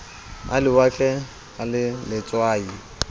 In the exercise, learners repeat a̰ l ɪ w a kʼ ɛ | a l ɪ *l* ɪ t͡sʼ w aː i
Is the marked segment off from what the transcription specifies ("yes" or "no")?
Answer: no